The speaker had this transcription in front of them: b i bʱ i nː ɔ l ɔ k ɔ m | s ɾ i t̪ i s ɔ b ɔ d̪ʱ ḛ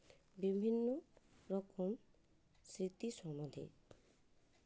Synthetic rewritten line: b i bʱ i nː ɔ ɾ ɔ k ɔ m | s ɾ i t̪ i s ɔ m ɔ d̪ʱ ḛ